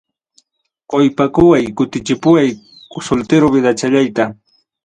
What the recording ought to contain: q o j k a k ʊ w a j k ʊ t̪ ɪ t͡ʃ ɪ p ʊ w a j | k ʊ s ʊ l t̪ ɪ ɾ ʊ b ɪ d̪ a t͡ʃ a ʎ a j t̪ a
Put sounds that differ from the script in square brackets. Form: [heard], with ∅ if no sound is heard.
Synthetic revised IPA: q o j [p] a k ʊ w a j k ʊ t̪ ɪ t͡ʃ ɪ p ʊ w a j | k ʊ s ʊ l t̪ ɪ ɾ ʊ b ɪ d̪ a t͡ʃ a ʎ a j t̪ a